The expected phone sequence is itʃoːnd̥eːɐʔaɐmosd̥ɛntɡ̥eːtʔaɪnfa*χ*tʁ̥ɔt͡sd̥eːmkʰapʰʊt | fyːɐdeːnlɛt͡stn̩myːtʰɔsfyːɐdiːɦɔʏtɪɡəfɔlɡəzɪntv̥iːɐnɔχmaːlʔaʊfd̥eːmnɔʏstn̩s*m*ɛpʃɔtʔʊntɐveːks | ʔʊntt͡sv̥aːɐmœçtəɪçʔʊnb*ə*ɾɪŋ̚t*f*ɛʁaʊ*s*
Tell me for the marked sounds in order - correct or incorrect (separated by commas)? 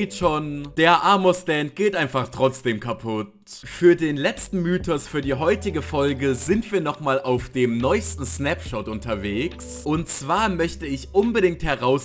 correct, incorrect, correct, incorrect, correct